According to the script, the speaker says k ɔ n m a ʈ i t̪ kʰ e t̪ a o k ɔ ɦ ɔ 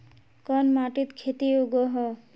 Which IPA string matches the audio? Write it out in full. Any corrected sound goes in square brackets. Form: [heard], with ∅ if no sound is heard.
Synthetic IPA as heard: k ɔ n m a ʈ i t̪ kʰ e t̪ [i] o [ɡ] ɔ ɦ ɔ